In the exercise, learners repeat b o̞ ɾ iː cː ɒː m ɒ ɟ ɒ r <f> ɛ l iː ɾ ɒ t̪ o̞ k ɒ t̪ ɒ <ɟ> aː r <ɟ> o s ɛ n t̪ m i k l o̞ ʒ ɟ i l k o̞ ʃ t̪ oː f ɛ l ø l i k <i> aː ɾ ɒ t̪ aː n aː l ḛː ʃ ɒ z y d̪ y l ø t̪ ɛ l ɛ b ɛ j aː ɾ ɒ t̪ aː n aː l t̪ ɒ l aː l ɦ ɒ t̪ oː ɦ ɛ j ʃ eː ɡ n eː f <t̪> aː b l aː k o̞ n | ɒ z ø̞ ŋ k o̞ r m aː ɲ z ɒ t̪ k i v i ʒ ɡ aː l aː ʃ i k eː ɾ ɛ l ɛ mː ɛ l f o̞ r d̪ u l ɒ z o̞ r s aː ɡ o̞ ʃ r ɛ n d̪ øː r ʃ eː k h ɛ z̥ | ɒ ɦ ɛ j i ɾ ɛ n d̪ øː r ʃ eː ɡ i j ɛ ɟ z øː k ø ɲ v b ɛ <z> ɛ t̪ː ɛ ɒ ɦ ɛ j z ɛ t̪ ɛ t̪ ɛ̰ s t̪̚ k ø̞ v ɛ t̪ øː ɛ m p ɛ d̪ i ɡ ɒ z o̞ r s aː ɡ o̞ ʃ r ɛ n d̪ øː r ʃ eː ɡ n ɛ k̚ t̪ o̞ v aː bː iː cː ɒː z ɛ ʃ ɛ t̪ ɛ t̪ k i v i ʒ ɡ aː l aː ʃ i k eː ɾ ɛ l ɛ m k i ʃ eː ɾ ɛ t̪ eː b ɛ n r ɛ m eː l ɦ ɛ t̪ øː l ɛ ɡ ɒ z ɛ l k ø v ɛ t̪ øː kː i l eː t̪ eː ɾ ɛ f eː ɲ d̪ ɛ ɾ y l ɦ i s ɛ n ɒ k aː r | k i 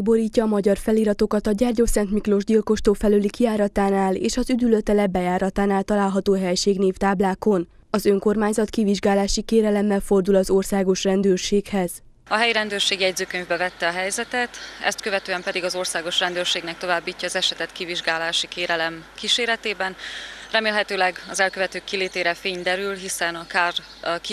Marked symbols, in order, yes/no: yes, yes, yes, yes, yes, no

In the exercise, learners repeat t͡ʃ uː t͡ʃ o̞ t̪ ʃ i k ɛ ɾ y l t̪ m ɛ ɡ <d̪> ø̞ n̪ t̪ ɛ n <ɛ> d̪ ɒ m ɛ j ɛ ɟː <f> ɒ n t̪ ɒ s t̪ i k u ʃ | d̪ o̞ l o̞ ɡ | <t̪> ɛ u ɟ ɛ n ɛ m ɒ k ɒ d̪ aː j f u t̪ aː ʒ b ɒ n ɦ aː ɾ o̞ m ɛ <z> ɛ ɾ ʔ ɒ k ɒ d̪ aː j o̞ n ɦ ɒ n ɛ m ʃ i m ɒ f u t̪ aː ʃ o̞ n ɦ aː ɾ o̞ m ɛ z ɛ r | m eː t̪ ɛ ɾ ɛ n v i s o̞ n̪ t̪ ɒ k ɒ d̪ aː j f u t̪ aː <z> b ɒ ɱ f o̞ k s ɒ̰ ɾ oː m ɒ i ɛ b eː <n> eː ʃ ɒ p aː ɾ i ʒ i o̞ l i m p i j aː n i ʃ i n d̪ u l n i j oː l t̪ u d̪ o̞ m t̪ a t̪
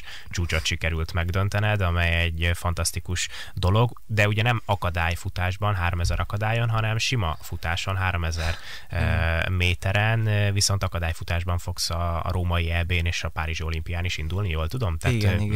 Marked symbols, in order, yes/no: yes, yes, yes, no, yes, no, yes

